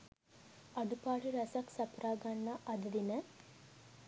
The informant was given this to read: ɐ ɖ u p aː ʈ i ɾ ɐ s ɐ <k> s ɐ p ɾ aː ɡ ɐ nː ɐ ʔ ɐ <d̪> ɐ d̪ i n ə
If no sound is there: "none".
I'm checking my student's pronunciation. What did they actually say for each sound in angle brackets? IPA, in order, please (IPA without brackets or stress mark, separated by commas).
k, d̪